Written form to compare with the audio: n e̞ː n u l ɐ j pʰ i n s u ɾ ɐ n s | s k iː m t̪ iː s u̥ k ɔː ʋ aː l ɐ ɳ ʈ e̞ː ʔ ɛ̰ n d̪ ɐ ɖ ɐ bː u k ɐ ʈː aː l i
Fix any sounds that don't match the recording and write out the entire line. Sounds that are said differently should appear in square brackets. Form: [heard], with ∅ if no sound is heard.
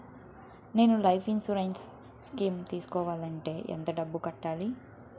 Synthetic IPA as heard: n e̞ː n u l ɐ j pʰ i n s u ɾ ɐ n s | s k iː m t̪ iː s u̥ k ɔː ʋ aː l ɐ ɳ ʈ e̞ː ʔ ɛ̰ n [t̪] ɐ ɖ ɐ bː u k ɐ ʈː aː l i